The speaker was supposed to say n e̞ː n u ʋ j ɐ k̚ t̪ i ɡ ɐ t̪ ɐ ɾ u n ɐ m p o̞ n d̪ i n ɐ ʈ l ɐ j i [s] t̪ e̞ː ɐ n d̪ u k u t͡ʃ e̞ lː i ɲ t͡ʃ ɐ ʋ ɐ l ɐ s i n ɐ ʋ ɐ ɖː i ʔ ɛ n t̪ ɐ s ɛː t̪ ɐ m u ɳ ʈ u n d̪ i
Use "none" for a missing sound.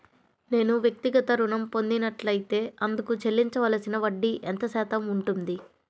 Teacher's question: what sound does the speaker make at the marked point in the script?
none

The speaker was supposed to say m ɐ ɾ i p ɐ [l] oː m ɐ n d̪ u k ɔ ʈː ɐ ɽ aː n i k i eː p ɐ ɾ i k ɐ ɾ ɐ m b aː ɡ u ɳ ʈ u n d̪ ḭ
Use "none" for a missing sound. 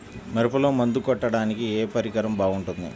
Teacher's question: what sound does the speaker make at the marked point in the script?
l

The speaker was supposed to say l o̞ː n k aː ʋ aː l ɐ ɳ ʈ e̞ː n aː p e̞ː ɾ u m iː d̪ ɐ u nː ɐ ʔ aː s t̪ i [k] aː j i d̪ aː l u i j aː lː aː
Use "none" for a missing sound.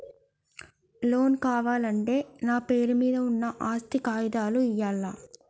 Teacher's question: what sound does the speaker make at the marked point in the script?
k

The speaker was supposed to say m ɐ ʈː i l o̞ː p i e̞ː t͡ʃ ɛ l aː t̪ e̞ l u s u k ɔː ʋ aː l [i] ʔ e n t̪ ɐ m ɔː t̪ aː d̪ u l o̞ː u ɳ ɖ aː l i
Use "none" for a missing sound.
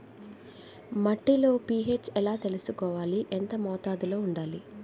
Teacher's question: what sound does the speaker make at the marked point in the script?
i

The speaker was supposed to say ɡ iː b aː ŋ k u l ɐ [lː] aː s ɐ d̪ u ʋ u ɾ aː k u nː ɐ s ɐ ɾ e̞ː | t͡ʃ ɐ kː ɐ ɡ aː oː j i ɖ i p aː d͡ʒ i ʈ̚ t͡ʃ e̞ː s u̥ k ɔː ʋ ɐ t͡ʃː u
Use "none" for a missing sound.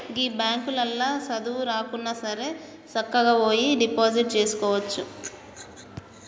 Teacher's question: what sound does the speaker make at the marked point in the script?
lː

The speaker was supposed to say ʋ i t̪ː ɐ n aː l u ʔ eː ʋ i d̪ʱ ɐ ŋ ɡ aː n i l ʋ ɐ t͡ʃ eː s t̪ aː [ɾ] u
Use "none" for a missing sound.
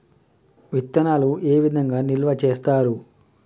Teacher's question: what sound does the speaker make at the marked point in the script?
ɾ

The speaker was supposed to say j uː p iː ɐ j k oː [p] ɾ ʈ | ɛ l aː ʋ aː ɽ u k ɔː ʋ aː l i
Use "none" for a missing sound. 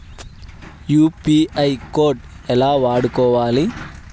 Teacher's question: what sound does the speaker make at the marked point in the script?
none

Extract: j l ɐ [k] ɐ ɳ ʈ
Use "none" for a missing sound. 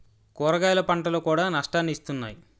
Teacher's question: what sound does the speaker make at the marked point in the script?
p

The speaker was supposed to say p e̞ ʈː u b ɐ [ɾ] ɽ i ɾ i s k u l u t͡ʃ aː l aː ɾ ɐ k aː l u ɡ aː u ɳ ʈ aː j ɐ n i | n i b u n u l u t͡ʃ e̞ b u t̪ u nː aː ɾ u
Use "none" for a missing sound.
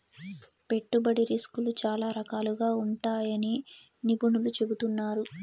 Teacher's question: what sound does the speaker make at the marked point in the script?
none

